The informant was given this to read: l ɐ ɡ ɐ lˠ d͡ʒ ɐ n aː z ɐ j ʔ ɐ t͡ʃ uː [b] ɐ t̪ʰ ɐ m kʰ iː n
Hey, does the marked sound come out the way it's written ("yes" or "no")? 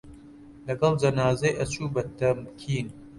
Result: yes